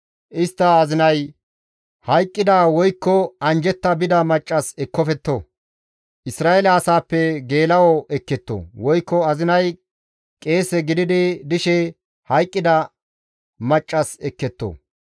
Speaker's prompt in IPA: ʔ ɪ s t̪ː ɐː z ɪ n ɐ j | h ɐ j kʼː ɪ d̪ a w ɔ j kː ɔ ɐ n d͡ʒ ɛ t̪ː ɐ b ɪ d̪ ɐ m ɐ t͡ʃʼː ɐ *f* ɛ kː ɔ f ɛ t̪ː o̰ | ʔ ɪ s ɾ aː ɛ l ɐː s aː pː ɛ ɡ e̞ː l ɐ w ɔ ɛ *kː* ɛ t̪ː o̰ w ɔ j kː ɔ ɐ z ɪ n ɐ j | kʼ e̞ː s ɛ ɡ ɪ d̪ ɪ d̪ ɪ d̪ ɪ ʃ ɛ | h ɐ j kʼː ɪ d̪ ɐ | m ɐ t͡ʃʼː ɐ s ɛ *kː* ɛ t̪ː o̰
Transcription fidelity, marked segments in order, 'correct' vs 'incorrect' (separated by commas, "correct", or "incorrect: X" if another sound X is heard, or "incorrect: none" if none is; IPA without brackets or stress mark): incorrect: s, correct, correct